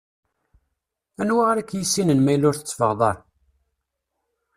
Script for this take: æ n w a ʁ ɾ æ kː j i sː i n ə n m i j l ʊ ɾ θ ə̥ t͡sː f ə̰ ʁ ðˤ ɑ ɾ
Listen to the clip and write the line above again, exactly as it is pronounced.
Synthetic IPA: æ n w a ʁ ɾ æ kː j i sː i n ə n m æ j l ʊ ɾ θ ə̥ t͡sː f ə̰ ʁ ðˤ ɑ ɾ